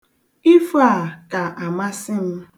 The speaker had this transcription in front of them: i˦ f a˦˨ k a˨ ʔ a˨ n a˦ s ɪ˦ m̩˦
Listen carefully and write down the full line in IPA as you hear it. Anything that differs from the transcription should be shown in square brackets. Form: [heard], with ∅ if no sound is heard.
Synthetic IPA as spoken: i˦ f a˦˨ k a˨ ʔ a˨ [m] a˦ s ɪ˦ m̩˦